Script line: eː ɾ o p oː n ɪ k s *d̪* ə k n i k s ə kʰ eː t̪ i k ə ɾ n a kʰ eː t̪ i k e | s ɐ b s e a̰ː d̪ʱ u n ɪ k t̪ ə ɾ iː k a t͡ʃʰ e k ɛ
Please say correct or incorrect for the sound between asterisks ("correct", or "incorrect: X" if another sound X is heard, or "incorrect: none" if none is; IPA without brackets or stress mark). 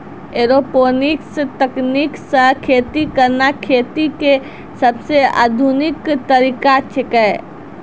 incorrect: t̪